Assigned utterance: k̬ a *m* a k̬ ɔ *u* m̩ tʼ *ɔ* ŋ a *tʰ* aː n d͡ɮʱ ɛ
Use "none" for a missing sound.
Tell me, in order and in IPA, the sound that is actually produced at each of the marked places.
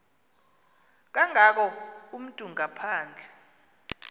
ŋ, u, u, pʰ

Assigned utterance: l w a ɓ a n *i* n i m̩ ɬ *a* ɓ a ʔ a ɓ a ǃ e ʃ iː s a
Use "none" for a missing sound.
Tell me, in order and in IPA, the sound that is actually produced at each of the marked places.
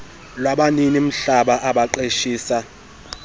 i, a

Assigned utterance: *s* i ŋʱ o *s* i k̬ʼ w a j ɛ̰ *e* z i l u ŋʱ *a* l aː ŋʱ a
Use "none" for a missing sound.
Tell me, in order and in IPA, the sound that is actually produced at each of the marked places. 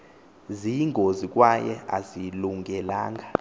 z, z, a, ɛ

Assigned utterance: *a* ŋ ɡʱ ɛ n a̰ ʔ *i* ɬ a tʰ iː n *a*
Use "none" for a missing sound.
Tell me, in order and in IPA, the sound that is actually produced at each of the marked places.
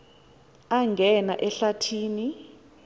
a, ɛ, i

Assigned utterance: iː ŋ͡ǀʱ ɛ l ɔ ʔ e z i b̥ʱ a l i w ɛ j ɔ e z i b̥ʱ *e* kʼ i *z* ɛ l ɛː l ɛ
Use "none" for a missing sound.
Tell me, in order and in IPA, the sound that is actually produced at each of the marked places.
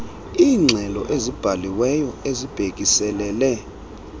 e, s

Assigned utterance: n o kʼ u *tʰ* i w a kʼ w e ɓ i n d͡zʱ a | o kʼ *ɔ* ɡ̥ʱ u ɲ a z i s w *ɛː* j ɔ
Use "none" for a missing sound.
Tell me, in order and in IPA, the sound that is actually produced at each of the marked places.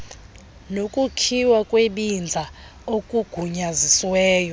kʰ, u, ɛː

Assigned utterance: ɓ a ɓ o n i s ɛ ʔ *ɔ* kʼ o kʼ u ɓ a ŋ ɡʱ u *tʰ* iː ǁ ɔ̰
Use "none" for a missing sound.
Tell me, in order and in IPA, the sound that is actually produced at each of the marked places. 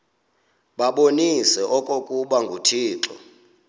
ɔ, tʰ

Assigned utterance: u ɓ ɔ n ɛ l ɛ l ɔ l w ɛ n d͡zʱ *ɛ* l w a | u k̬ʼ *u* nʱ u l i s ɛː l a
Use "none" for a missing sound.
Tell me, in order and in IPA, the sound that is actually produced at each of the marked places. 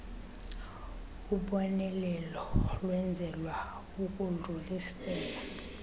ɛ, u

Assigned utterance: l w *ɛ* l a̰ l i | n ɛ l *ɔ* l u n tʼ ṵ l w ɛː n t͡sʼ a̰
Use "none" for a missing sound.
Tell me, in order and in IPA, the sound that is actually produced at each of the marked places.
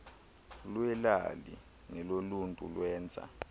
ɛ, o

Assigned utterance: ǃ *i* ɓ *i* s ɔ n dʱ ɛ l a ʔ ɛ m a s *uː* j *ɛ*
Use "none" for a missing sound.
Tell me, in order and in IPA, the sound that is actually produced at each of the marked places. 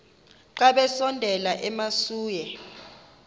a, ɛ, uː, ɛ

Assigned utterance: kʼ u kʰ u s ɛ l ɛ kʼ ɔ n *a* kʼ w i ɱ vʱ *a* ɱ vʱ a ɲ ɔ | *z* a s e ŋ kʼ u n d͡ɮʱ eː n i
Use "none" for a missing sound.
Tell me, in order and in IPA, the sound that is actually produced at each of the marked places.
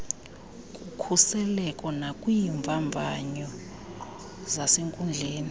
a, a, z

